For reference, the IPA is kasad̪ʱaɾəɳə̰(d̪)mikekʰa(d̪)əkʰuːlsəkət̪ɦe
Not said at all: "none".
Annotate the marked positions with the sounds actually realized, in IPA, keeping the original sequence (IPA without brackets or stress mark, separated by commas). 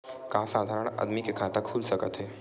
d̪, t̪